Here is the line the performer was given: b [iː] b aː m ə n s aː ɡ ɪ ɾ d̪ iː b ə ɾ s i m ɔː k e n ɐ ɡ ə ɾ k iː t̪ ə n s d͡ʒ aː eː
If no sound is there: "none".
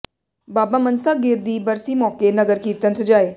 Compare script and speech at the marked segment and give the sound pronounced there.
aː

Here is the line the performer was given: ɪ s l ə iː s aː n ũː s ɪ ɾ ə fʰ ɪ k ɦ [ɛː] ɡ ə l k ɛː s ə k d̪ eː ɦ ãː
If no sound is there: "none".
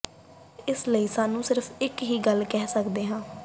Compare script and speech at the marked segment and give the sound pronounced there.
iː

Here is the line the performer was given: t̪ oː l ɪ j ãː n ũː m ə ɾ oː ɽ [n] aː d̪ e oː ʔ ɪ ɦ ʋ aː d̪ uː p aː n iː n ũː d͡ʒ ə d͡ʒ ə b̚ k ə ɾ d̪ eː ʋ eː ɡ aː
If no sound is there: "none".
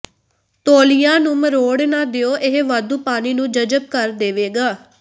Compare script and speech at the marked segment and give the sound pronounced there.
n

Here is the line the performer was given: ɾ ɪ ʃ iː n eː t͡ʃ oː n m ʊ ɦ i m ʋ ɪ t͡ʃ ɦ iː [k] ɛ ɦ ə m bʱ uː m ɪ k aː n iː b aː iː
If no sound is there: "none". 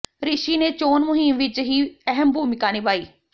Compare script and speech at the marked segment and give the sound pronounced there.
none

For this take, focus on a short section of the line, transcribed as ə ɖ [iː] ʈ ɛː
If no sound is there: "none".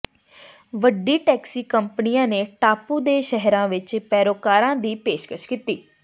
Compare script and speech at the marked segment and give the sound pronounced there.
iː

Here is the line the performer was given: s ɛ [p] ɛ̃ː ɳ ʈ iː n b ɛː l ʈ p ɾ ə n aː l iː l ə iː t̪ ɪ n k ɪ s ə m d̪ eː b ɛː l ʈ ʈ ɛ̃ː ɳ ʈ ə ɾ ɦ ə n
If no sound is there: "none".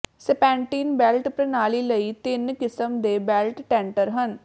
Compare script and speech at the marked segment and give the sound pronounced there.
p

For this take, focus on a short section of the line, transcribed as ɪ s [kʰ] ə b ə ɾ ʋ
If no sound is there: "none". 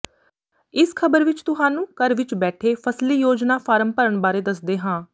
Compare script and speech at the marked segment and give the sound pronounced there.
kʰ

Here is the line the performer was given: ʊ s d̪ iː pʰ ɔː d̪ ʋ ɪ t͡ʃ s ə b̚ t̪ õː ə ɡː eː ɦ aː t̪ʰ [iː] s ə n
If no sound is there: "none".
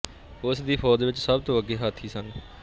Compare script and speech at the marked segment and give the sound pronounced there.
iː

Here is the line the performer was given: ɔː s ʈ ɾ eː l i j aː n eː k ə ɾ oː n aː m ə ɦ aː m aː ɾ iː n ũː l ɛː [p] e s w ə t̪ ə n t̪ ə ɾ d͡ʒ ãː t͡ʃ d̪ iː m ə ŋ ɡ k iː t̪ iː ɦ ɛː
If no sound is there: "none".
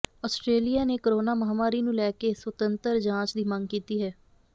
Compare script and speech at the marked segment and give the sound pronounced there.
k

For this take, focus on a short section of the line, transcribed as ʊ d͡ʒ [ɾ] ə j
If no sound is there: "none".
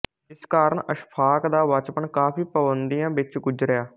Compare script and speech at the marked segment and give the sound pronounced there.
ɾ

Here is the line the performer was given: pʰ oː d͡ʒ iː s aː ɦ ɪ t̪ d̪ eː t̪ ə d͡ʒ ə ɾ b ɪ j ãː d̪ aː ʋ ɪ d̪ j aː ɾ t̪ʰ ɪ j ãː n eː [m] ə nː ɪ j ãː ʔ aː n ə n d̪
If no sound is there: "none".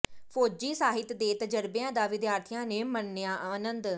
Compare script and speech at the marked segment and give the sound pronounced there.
m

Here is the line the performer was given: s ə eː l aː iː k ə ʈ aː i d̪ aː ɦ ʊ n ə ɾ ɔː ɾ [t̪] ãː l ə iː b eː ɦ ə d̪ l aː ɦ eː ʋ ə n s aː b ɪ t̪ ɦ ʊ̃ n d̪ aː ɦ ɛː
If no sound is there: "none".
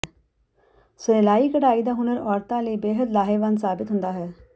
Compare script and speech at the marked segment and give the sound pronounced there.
t̪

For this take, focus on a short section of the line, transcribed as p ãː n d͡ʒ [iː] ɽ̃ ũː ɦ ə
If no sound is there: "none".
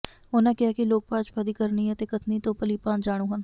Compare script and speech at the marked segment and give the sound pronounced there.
aː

